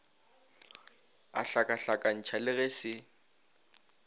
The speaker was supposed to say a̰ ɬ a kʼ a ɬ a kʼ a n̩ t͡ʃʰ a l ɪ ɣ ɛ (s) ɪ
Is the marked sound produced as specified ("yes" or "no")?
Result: yes